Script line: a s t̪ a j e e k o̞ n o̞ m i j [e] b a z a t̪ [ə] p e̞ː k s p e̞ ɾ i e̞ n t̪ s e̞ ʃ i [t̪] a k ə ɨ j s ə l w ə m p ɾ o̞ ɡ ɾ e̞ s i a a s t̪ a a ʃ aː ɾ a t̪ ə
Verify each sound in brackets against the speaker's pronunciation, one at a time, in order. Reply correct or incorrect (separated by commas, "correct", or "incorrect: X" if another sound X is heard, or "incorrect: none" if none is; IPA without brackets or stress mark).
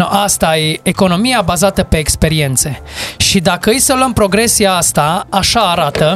incorrect: a, correct, incorrect: d̪